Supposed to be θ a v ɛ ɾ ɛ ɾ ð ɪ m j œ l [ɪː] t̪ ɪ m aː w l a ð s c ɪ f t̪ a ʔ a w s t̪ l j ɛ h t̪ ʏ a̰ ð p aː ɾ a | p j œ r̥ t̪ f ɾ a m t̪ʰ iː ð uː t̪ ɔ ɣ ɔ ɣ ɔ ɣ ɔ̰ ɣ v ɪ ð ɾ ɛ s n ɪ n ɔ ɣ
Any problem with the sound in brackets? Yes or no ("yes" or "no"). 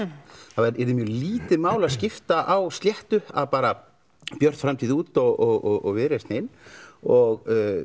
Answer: yes